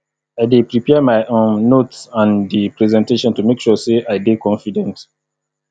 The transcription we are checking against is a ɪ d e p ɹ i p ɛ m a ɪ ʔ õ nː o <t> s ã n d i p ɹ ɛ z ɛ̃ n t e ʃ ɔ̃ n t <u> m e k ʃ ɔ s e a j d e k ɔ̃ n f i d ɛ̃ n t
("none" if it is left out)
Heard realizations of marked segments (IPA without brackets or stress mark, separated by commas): t, u